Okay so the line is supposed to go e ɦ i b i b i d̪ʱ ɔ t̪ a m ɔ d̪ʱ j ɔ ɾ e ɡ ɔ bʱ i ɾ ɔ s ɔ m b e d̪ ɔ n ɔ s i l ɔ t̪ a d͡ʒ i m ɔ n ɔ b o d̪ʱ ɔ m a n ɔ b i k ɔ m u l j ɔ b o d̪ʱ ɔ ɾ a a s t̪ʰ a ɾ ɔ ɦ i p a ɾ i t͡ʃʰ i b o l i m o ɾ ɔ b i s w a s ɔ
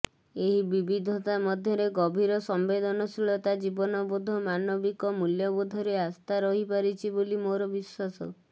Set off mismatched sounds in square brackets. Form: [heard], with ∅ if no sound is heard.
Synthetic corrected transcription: e ɦ i b i b i d̪ʱ ɔ t̪ a m ɔ d̪ʱ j ɔ ɾ e ɡ ɔ bʱ i ɾ ɔ s ɔ m b e d̪ ɔ n ɔ s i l ɔ t̪ a d͡ʒ i [b] ɔ n ɔ b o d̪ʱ ɔ m a n ɔ b i k ɔ m u l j ɔ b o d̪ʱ ɔ ɾ [e] a s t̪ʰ a ɾ ɔ ɦ i p a ɾ i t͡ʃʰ i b o l i m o ɾ ɔ b i s w a s ɔ